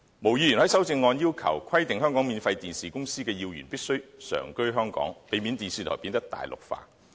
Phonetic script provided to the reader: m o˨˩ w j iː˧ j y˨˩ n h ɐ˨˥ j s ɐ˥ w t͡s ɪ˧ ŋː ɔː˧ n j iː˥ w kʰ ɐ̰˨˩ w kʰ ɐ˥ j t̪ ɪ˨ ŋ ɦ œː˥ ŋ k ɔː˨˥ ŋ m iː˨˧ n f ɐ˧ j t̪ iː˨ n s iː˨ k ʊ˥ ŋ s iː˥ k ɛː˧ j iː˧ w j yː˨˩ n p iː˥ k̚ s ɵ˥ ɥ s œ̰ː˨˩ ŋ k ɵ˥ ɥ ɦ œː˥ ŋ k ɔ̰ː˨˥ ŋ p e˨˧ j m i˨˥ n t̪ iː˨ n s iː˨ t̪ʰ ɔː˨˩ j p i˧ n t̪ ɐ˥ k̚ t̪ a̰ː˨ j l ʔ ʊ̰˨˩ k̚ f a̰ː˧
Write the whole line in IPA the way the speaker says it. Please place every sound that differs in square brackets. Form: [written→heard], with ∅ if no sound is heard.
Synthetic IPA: m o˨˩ w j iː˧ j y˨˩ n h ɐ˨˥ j s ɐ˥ w t͡s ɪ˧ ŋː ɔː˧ n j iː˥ w kʰ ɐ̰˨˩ w kʰ ɐ˥ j t̪ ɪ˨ ŋ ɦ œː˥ ŋ k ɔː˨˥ ŋ m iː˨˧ n f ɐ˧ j t̪ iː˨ n s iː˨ k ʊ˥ ŋ s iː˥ k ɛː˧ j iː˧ w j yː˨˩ n p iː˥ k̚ s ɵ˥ ɥ s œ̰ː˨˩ ŋ k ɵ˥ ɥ ɦ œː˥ ŋ k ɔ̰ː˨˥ ŋ p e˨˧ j m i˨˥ n t̪ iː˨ n s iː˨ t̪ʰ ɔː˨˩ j p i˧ n t̪ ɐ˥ k̚ t̪ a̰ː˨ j l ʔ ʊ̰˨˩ k̚ f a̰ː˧

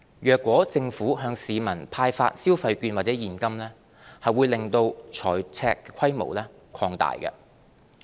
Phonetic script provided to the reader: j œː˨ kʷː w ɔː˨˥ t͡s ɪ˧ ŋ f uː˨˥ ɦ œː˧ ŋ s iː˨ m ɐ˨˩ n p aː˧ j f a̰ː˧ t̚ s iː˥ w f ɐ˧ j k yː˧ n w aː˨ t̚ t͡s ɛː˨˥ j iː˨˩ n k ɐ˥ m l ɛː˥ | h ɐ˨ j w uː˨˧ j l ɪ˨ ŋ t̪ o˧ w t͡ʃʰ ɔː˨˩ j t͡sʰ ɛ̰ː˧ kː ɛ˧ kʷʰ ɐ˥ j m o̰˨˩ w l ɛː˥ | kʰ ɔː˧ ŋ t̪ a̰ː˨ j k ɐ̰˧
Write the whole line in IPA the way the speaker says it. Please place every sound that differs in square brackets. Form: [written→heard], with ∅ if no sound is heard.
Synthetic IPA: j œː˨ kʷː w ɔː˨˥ t͡s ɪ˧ ŋ f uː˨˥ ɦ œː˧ ŋ s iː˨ m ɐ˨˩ n [p→pʰ] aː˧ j f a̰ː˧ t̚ s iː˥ w f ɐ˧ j k yː˧ n w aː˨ t̚ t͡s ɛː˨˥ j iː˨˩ n k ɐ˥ m l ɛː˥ | h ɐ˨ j w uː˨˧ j l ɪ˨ ŋ t̪ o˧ w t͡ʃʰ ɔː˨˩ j t͡sʰ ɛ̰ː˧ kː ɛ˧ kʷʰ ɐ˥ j m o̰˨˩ w l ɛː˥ | kʰ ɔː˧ ŋ t̪ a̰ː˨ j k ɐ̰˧

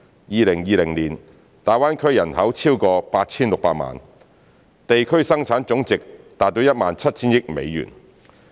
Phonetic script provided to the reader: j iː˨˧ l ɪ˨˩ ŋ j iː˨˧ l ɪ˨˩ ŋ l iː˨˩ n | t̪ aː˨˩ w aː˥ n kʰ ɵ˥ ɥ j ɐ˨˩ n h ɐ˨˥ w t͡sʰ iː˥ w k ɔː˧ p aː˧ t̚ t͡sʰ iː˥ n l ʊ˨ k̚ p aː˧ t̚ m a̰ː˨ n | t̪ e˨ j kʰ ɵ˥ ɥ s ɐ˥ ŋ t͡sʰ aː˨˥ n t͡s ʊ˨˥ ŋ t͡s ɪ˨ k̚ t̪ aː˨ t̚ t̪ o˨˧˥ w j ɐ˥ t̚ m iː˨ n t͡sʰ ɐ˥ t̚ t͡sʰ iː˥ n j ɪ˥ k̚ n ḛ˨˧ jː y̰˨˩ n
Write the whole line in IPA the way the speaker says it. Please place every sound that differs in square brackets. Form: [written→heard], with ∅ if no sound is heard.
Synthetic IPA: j iː˨˧ l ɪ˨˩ ŋ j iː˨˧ l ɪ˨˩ ŋ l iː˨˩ n | t̪ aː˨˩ w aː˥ n kʰ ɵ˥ ɥ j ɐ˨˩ n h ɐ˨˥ w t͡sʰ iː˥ w k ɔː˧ p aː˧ t̚ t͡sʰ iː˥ n l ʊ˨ k̚ p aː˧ t̚ m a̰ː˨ n | t̪ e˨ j kʰ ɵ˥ ɥ s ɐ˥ ŋ t͡sʰ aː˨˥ n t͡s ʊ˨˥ ŋ t͡s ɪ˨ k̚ t̪ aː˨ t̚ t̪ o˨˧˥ w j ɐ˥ t̚ m [iː˨→aː˨] n t͡sʰ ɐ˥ t̚ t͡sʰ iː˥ n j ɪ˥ k̚ [n→m] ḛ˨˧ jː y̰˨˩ n

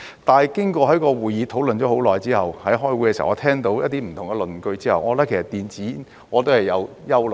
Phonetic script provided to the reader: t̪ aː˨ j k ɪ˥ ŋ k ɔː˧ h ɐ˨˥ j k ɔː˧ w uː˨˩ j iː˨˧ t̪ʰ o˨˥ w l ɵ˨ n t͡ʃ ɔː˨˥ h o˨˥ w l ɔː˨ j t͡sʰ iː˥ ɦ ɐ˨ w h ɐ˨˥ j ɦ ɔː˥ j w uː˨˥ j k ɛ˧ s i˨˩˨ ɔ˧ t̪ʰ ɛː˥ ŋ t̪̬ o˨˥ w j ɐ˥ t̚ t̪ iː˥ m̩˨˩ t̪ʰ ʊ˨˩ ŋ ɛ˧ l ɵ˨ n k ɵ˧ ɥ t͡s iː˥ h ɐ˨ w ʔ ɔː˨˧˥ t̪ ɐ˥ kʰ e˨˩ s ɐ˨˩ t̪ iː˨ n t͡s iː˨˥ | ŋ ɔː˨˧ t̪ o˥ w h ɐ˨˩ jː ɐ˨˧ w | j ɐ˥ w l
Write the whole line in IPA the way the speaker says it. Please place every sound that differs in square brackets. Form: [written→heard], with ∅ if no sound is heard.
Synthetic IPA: t̪ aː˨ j k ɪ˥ ŋ k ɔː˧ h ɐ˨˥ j k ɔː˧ w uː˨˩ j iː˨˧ t̪ʰ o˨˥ w l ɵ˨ n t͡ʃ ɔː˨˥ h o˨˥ w l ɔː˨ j [t͡sʰ→t͡s] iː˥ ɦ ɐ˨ w h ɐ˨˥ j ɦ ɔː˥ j w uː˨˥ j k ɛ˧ s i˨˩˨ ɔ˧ t̪ʰ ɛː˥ ŋ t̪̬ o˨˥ w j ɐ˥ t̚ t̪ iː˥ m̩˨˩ t̪ʰ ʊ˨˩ ŋ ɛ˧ l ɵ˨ n k ɵ˧ ɥ t͡s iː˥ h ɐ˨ w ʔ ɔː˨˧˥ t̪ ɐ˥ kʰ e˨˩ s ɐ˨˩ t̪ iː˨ n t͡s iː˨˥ | ŋ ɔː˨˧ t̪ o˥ w h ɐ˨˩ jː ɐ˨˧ w | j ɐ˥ w l

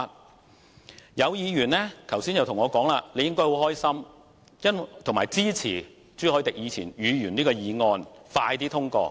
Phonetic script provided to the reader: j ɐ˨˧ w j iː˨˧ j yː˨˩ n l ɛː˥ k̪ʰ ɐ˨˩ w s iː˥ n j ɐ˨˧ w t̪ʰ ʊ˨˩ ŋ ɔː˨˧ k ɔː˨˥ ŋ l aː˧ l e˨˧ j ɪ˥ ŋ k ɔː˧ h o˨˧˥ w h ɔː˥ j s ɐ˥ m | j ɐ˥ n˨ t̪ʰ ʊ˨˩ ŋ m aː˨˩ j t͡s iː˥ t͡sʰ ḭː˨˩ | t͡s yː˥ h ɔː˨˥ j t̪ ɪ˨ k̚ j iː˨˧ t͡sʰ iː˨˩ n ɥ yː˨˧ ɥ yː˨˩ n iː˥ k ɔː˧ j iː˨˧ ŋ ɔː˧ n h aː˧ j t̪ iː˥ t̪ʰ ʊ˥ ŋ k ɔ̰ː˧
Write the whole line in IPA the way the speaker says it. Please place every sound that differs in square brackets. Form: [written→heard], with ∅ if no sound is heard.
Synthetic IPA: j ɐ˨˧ w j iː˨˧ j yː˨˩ n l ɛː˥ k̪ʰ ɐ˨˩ w s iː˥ n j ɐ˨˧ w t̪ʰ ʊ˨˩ ŋ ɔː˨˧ k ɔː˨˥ ŋ l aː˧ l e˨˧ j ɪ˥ ŋ k [ɔː˧→ɔː˥] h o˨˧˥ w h ɔː˥ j s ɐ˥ m | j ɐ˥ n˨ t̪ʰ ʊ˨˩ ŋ m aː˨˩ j t͡s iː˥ t͡sʰ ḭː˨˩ | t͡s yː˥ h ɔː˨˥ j t̪ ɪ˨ k̚ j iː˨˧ t͡sʰ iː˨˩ n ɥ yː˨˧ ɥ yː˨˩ n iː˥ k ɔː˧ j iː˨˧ ŋ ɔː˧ n [h→f] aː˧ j t̪ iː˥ t̪ʰ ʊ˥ ŋ k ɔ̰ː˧

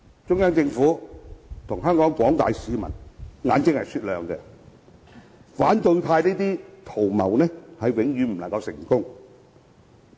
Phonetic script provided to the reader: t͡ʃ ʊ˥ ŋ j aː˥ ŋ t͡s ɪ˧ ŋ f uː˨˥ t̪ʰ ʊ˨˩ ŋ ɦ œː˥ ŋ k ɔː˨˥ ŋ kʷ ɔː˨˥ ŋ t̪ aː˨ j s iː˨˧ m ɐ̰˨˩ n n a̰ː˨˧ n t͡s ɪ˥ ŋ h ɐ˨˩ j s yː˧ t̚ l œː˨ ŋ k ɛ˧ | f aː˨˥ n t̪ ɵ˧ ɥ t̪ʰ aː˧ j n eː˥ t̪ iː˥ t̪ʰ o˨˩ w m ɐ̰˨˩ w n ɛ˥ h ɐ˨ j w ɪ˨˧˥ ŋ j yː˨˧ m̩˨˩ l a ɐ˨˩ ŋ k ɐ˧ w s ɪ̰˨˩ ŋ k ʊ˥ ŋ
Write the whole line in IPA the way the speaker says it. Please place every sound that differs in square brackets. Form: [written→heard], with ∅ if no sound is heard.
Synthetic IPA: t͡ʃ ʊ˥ ŋ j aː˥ ŋ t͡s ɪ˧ ŋ f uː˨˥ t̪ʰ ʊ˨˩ ŋ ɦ œː˥ ŋ k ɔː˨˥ ŋ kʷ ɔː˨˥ ŋ t̪ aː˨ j s iː˨˧ m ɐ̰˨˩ n [n→ŋ] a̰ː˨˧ n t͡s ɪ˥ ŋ h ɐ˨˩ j s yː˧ t̚ l œː˨ ŋ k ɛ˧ | f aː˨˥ n t̪ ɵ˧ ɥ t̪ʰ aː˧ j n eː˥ t̪ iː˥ t̪ʰ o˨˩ w m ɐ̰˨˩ w n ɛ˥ h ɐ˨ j w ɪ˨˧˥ ŋ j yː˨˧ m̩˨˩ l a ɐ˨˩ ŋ k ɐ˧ w s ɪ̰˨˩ ŋ k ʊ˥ ŋ

